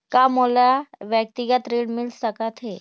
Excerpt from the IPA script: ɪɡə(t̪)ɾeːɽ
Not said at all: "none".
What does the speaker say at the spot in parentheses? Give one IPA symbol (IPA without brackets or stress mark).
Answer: t̪